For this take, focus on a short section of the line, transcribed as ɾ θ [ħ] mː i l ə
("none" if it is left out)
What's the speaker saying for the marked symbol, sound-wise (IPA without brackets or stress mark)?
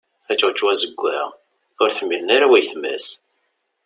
ħ